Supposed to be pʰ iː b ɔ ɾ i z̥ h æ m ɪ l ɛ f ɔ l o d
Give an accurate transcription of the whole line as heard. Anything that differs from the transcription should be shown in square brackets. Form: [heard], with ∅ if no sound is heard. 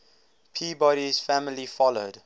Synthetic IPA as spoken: pʰ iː b ɔ ɾ i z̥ [f] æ m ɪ l [i] f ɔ l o d